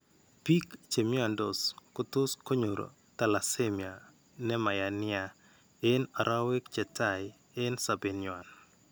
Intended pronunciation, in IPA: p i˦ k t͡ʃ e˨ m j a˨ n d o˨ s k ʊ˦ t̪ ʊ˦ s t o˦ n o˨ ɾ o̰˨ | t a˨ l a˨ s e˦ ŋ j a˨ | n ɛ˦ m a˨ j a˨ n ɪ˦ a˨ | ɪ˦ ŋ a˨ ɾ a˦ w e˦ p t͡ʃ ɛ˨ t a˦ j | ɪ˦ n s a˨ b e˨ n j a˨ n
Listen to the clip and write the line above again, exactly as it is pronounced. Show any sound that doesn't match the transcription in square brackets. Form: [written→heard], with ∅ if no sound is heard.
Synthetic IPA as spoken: p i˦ k t͡ʃ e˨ m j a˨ n d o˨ s k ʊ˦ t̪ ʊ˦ s [t→k] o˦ [n→ɲ] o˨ ɾ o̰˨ | t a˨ l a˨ s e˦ [ŋ→m] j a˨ | n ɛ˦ m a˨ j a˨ n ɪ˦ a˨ | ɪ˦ [ŋ→n] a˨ ɾ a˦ w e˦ [p→k] t͡ʃ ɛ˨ t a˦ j | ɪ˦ n s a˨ b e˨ n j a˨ n